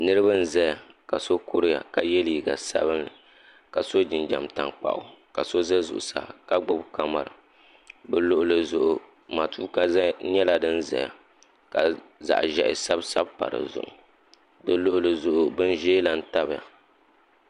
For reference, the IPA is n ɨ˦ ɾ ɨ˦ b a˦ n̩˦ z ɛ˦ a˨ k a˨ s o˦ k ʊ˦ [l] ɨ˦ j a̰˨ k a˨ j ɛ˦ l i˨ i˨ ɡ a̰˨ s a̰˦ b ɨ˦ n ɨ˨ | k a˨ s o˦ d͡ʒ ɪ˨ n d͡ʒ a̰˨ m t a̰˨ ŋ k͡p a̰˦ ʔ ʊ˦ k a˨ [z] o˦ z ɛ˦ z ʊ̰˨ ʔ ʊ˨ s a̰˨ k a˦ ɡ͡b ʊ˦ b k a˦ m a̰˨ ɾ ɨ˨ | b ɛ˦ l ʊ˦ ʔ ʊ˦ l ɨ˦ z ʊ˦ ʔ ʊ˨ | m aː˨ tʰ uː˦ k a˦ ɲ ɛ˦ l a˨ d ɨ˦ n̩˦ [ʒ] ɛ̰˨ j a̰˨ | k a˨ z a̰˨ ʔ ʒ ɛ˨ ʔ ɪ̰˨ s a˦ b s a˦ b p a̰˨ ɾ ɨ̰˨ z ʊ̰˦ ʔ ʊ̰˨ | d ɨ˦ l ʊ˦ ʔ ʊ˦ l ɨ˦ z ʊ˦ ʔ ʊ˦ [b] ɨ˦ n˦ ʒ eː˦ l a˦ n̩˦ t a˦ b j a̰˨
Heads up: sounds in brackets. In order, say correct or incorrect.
incorrect: ɾ, incorrect: s, incorrect: z, correct

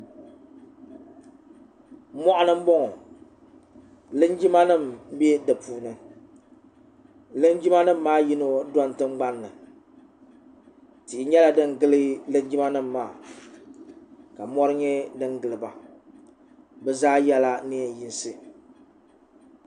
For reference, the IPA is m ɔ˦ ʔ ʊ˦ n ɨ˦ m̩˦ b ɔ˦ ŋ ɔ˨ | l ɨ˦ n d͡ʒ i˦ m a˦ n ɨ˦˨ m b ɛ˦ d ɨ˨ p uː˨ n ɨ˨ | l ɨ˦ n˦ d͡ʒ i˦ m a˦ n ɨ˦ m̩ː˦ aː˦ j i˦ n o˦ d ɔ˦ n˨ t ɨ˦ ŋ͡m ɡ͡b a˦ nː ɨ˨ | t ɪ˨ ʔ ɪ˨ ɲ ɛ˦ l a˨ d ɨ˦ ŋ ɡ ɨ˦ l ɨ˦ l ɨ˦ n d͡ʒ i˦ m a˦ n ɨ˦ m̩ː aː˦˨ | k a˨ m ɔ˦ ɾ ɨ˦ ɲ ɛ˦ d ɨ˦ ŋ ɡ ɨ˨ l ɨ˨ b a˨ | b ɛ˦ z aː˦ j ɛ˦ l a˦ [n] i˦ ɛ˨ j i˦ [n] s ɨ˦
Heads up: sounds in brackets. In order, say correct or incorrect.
correct, correct

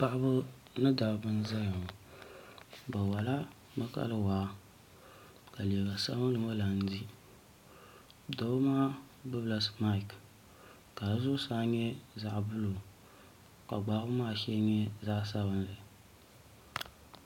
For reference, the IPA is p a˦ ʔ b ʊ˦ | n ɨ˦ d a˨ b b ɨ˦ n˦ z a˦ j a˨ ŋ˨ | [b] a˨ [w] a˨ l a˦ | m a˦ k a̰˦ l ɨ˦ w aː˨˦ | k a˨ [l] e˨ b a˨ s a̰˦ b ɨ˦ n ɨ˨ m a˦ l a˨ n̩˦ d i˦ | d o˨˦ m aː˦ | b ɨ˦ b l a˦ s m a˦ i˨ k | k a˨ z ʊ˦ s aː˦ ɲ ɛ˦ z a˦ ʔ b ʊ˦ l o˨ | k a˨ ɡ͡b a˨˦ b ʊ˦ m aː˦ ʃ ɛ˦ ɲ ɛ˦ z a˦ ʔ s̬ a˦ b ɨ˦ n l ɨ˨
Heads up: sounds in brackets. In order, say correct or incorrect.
correct, correct, correct

